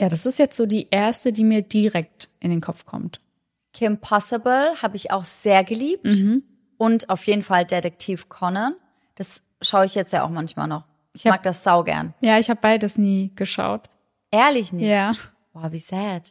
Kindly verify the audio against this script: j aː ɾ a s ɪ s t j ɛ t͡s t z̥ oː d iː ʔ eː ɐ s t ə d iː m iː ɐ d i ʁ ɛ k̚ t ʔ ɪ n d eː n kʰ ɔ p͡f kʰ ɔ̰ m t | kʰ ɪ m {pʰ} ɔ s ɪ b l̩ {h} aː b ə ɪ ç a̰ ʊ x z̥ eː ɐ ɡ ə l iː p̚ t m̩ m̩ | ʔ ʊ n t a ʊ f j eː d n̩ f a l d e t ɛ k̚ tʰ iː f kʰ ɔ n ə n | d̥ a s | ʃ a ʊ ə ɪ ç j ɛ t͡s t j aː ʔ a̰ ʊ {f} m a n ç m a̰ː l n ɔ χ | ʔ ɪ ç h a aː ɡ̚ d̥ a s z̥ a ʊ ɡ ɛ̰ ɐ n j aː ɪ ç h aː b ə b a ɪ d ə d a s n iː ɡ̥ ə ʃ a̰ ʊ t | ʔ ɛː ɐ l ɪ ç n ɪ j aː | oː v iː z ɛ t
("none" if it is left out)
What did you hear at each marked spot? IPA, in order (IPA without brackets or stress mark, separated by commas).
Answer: pʰ, h, x